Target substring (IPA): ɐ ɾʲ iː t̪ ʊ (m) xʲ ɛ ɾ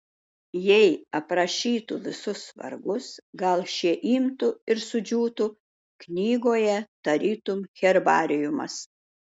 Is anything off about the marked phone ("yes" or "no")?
no